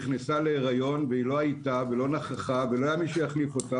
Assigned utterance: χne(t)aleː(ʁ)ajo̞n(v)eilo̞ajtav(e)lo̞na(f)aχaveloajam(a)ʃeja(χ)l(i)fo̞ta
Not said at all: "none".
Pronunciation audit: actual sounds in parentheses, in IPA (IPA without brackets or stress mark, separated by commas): s, ʁ, v, e, χ, i, χ, i